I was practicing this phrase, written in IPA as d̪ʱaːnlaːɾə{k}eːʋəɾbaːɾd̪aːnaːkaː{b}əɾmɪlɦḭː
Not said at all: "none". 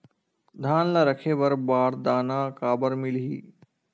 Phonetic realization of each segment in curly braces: kʰ, b

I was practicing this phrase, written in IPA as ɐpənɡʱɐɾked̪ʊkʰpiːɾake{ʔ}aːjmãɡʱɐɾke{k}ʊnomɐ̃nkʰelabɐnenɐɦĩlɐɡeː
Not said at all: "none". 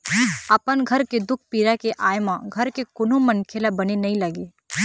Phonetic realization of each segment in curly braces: ʔ, k

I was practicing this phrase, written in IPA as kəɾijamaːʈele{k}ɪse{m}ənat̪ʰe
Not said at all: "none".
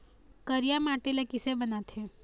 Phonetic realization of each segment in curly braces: k, b

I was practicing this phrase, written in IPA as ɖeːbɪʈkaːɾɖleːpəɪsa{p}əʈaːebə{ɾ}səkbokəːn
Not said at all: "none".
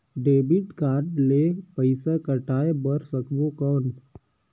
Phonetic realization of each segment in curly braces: k, ɾ

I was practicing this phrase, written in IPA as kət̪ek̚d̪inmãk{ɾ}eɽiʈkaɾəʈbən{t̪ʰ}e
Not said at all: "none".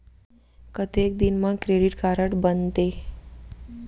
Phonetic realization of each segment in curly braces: ɾ, t̪

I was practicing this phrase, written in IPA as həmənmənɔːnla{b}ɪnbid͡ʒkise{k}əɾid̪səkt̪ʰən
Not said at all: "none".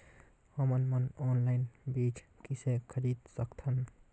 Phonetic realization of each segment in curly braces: none, kʰ

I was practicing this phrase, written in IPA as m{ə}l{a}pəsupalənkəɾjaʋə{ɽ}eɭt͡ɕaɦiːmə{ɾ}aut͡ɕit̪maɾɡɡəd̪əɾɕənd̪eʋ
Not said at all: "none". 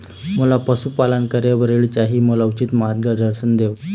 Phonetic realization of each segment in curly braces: ə, a, ɾ, l

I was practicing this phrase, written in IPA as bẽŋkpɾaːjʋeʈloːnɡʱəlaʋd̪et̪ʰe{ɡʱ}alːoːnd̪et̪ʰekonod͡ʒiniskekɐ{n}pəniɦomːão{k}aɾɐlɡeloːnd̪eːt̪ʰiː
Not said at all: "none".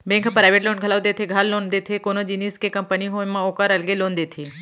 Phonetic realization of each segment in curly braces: ɡʱ, m, k

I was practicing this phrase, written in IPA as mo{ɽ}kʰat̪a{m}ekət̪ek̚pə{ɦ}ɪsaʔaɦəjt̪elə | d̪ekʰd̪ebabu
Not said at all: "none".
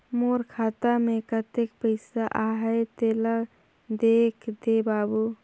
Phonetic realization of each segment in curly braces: ɾ, m, none

